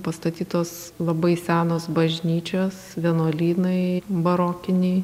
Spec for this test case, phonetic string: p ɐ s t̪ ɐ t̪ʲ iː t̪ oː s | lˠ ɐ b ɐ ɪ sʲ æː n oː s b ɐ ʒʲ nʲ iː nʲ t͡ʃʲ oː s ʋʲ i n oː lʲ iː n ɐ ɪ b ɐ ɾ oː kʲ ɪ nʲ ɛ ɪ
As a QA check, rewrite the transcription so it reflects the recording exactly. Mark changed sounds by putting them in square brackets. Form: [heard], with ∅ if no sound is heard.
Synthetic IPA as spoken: p ɐ s t̪ ɐ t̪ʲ iː t̪ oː s | lˠ ɐ b ɐ ɪ sʲ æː n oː s b ɐ ʒʲ nʲ iː [∅] t͡ʃʲ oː s ʋʲ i n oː lʲ iː n ɐ ɪ b ɐ ɾ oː kʲ ɪ nʲ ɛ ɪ